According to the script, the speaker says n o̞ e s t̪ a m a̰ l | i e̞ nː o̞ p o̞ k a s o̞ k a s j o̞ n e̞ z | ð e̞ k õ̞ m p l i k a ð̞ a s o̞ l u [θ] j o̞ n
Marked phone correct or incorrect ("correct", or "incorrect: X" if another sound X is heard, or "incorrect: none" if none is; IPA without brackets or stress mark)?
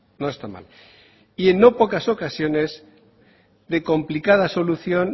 correct